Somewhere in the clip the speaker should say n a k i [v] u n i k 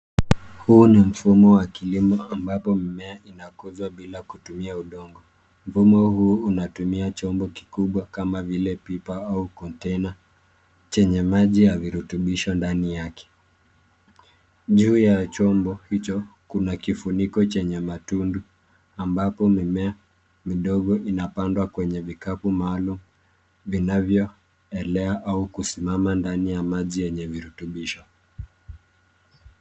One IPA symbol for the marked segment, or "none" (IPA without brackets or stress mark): f